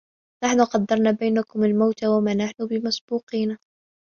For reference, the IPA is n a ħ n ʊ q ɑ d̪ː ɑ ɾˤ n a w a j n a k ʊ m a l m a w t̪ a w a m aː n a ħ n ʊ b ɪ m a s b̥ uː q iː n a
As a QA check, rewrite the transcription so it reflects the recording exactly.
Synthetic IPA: n a ħ n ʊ q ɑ d̪ː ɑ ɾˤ n a b a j n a k ʊ m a l m a w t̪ a w a m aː n a ħ n ʊ b ɪ m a s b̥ uː q iː n a